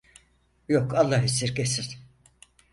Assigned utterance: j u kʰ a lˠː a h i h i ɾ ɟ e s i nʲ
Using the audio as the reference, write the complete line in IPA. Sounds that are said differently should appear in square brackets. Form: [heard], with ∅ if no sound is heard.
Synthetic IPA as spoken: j [o] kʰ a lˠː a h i [s] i ɾ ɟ e s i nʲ